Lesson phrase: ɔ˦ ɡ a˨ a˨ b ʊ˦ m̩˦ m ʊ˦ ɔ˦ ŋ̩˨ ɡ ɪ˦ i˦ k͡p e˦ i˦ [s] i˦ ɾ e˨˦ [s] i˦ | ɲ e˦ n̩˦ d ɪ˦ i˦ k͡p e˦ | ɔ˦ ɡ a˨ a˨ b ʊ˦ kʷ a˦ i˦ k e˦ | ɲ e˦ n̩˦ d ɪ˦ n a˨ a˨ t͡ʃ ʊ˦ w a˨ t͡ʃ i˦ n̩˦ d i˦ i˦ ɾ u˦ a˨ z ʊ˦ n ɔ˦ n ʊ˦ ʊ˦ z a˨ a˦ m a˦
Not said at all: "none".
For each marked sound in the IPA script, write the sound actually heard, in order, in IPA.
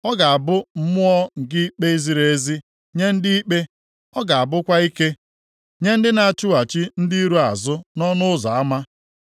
z, z

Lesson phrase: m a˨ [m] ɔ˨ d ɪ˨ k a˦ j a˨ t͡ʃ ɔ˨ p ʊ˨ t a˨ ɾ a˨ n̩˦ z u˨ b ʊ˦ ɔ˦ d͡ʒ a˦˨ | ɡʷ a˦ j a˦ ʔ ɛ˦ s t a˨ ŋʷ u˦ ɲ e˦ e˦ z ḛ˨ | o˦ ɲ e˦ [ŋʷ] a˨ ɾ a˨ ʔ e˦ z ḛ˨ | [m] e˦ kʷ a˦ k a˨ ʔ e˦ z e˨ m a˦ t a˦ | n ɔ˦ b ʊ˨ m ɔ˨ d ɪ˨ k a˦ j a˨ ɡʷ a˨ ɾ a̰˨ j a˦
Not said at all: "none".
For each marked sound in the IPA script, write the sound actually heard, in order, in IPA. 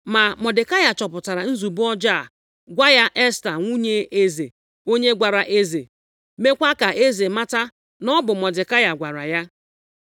m, ɡʷ, m

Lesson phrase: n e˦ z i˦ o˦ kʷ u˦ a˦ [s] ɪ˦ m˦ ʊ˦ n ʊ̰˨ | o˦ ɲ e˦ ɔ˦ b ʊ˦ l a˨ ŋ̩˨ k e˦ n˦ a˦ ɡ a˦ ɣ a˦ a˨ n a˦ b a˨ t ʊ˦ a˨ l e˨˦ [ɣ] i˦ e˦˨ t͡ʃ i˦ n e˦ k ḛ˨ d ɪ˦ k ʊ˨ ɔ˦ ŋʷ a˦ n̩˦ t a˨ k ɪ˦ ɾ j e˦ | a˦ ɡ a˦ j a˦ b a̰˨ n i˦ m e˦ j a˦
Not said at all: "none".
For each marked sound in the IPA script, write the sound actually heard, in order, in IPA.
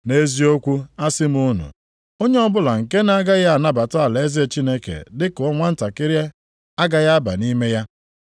s, z

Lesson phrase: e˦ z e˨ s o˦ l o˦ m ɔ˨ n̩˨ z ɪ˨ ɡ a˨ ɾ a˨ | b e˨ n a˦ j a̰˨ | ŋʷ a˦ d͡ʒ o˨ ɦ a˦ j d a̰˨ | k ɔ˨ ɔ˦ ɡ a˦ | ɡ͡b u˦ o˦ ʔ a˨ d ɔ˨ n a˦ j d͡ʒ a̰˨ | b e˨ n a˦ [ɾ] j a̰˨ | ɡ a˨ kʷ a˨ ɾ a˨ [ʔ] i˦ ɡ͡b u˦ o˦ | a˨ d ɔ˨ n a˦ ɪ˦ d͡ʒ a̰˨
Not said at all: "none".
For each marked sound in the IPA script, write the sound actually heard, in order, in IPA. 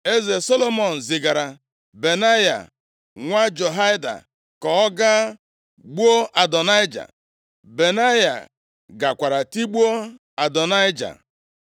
none, t

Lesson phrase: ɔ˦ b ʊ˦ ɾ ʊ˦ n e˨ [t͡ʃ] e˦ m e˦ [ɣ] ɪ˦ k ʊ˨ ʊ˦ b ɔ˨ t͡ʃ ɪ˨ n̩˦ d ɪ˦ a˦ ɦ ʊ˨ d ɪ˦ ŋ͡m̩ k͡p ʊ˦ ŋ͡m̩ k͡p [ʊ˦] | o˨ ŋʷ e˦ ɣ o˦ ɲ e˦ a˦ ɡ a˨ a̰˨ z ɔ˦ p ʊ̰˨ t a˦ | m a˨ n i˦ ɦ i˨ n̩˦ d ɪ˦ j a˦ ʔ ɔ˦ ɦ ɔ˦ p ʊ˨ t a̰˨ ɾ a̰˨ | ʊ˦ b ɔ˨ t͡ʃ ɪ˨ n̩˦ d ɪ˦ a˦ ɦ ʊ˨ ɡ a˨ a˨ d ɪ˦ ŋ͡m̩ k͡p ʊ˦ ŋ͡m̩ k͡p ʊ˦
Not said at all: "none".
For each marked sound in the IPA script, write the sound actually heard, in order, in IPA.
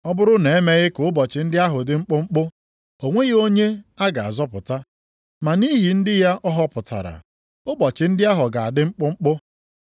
none, ɣ, ʊ˦

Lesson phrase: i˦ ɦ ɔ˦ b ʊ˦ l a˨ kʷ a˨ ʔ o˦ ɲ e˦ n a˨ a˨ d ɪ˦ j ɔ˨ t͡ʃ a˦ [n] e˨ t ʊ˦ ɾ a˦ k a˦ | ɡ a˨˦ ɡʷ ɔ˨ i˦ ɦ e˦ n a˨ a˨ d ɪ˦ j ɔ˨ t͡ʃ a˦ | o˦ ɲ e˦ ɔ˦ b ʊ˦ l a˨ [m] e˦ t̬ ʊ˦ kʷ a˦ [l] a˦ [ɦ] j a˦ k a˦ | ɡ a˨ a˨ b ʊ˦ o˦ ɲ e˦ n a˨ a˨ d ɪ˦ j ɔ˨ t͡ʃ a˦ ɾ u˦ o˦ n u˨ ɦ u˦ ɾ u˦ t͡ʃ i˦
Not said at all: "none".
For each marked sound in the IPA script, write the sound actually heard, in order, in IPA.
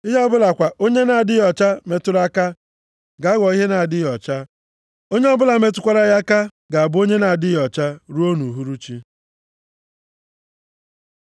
m, m, ɾ, none

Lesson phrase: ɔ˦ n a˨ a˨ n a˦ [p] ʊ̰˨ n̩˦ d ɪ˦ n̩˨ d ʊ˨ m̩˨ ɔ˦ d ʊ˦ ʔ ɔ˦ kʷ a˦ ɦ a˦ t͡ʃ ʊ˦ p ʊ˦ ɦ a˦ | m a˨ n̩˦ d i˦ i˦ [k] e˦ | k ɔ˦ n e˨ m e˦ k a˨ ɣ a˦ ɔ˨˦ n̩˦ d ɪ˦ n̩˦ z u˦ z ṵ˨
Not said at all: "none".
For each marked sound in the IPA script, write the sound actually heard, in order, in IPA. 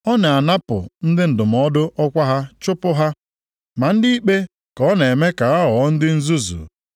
p, k͡p

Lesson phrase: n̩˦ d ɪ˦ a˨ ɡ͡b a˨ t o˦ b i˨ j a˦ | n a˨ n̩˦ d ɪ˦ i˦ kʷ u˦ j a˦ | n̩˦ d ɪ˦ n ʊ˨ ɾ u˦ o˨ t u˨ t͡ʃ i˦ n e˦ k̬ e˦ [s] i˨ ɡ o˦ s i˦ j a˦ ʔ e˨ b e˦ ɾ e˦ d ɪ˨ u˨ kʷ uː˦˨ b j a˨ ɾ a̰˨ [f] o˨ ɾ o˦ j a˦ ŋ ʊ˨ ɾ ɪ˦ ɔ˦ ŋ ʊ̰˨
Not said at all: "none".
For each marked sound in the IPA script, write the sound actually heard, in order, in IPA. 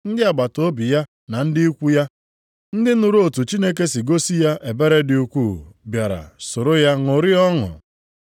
s, s

